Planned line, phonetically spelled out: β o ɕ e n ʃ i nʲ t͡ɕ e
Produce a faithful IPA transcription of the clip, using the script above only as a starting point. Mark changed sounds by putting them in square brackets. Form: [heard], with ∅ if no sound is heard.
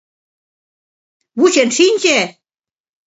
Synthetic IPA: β [u] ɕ e n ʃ i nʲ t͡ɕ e